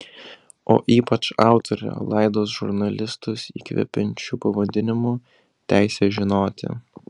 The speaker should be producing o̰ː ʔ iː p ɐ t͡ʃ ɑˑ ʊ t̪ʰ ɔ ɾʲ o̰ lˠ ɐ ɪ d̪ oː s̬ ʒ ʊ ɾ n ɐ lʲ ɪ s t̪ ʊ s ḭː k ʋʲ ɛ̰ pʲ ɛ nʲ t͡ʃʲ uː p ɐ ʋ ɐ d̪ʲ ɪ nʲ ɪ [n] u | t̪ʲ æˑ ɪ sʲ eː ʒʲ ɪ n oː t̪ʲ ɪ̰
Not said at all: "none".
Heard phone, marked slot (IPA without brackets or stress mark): m